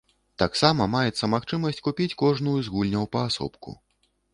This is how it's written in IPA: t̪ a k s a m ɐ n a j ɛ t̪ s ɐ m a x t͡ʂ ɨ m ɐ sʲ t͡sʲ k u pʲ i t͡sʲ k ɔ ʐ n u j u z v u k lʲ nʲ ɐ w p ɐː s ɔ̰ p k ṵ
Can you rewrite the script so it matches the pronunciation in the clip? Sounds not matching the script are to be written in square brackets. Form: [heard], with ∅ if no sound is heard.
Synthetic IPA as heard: t̪ a k s a m ɐ [m] a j ɛ t̪ s ɐ m a x t͡ʂ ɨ m ɐ sʲ t͡sʲ k u pʲ i t͡sʲ k ɔ ʐ n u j u z [ɣ] u [∅] lʲ nʲ ɐ w p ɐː s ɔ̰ p k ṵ

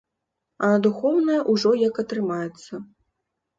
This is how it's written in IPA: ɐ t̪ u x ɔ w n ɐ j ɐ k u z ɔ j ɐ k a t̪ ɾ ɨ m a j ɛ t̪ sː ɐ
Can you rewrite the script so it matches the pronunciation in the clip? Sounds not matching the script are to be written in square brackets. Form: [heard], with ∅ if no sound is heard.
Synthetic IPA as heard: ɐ [d̪] u x ɔ w n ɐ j ɐ [ʔ] u [ʐ] ɔ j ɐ k [ɐ] t̪ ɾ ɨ m a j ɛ t̪ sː ɐ

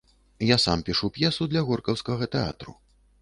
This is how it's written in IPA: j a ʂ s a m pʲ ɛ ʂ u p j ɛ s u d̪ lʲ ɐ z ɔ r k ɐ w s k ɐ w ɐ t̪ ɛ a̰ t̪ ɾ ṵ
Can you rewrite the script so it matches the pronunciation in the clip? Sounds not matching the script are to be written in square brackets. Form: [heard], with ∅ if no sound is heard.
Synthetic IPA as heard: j a [∅] s a m pʲ [i] ʂ u p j ɛ s u d̪ lʲ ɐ [ɣ] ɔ r k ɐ w s k ɐ [ɣ] ɐ t̪ ɛ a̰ t̪ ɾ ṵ

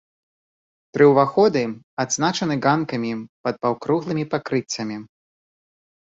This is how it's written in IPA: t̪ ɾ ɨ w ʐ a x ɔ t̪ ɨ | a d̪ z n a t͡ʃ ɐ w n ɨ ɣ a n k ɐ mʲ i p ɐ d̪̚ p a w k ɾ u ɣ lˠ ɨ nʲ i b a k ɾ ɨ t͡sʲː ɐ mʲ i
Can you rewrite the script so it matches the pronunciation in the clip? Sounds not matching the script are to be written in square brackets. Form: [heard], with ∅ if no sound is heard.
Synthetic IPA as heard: t̪ ɾ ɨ w [v] a x ɔ [d̪] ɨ | a d̪ z n a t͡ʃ ɐ [∅] n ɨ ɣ a n k ɐ mʲ i p ɐ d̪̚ p a w k ɾ u ɣ lˠ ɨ [mʲ] i [p] a k ɾ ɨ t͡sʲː ɐ mʲ i

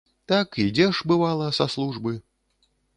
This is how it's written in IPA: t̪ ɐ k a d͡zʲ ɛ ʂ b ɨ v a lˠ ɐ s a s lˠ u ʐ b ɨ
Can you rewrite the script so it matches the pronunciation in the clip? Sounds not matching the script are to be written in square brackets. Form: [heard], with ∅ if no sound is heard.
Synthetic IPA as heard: t̪ [a] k [i] d͡zʲ ɛ ʂ b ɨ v a lˠ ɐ s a s lˠ u ʐ b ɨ

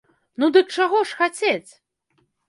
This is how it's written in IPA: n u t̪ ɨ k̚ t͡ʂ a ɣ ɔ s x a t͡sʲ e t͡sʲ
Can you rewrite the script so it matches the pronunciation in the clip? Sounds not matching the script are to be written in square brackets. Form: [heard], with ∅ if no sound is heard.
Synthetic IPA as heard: n u [d̪] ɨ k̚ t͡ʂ a ɣ ɔ [ʂ] x a t͡sʲ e t͡sʲ

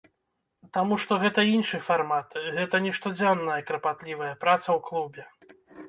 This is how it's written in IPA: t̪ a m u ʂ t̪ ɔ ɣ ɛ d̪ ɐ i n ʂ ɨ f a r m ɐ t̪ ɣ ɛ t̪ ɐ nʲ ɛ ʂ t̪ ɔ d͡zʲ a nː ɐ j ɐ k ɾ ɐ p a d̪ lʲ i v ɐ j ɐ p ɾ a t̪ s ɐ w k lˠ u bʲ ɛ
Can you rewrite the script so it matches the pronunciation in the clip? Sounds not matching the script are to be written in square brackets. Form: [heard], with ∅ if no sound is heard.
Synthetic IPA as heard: t̪ a m u ʂ t̪ ɔ ɣ ɛ [t̪] ɐ i n ʂ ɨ f a r m [a] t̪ ɣ ɛ t̪ ɐ nʲ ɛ ʂ t̪ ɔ d͡zʲ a nː ɐ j ɐ k ɾ ɐ p a [t̪] lʲ i v ɐ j ɐ p ɾ a t̪ s ɐ w k lˠ u bʲ ɛ

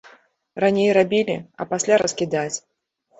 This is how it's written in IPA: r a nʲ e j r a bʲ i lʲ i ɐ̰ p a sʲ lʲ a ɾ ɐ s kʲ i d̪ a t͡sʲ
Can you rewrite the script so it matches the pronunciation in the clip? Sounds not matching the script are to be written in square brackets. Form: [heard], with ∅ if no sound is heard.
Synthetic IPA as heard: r a nʲ e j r a bʲ i lʲ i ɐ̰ p a sʲ lʲ a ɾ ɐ s kʲ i d̪ a t͡sʲ

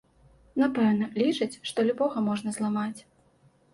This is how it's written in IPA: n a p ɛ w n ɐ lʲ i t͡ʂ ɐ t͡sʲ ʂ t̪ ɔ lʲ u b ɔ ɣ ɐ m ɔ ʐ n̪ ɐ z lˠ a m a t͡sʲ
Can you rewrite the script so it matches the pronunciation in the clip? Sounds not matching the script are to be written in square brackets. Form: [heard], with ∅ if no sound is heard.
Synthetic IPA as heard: n a p ɛ w n ɐ lʲ i t͡ʂ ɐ t͡sʲ ʂ t̪ ɔ lʲ u b ɔ ɣ ɐ m ɔ ʐ n̪ ɐ z lˠ a m a t͡sʲ

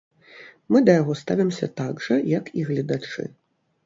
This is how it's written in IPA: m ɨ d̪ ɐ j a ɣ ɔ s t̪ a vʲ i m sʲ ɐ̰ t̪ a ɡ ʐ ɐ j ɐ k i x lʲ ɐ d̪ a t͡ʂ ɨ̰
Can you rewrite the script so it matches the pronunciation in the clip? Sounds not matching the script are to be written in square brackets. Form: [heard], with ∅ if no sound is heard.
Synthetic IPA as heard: m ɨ d̪ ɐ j a ɣ ɔ s t̪ a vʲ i m sʲ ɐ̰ t̪ a ɡ ʐ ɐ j ɐ k i [ɣ] lʲ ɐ d̪ a t͡ʂ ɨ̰

